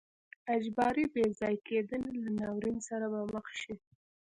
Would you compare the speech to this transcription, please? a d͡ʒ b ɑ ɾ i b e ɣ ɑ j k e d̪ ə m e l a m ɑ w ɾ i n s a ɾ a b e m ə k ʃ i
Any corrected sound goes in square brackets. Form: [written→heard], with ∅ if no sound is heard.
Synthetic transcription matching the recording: a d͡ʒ b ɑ ɾ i b e [ɣ→z] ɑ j k e d̪ ə [m→n] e l a [m→n] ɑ w ɾ i n s a ɾ a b [e→a] m ə [k→x] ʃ i